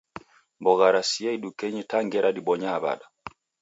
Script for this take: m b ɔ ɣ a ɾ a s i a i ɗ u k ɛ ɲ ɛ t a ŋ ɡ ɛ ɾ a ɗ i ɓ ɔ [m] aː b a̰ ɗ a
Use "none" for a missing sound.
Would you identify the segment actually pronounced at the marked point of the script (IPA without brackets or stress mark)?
ɲ